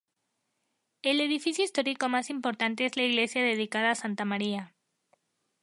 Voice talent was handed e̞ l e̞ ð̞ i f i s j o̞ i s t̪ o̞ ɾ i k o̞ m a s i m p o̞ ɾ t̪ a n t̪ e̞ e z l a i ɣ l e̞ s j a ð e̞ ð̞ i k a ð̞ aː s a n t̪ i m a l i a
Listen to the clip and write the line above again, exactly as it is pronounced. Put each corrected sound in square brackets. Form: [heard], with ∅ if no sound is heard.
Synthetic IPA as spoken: e̞ l e̞ ð̞ i f i s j o̞ i s t̪ o̞ ɾ i k o̞ m a s i m p o̞ ɾ t̪ a n t̪ e̞ e z l a i ɣ l e̞ s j a ð e̞ ð̞ i k a ð̞ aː s a n t̪ [a] m a [ɾ] i a